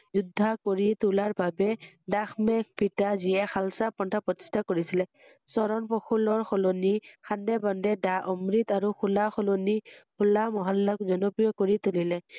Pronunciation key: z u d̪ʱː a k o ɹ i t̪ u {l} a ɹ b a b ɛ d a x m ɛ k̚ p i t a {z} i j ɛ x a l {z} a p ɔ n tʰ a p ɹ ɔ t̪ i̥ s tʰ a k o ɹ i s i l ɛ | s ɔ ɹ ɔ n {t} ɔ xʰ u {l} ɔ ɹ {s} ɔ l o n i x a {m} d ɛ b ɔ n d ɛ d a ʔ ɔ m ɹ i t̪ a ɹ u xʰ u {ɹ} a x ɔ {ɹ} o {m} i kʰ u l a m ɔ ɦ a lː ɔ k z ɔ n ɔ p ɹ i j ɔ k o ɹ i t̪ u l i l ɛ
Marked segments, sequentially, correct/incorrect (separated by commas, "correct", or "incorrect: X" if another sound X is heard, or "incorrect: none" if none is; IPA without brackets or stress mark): correct, correct, incorrect: s, incorrect: p, correct, incorrect: x, incorrect: n, incorrect: l, incorrect: l, incorrect: n